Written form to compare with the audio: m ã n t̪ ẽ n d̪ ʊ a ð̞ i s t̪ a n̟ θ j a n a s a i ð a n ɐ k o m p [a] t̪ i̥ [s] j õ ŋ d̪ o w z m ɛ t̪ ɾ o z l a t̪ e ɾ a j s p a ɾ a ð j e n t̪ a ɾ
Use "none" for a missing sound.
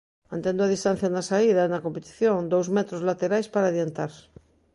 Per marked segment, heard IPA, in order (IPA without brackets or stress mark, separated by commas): e, θ